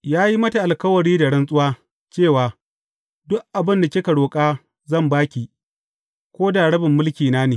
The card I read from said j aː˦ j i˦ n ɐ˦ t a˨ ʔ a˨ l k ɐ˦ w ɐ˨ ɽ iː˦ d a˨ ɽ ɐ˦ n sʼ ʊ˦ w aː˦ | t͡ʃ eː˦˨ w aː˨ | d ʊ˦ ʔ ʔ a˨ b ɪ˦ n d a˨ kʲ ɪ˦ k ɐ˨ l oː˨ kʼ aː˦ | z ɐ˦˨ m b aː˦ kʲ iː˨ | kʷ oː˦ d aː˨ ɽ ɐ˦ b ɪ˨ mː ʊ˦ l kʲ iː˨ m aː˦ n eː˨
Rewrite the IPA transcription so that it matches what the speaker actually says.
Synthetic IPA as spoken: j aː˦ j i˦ m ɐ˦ t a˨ ʔ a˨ l k ɐ˦ w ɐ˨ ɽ iː˦ d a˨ ɽ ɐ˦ n sʼ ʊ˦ w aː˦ | t͡ʃ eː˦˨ w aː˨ | d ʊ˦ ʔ ʔ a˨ b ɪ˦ n d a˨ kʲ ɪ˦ k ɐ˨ ɽ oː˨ kʼ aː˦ | z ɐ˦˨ m b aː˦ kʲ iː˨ | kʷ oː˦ d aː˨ ɽ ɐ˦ b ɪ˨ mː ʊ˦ l kʲ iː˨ n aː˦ n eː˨